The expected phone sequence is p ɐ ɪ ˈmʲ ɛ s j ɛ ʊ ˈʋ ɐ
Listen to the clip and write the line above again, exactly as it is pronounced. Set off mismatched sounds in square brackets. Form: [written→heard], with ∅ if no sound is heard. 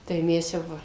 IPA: [p→t] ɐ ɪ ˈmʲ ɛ s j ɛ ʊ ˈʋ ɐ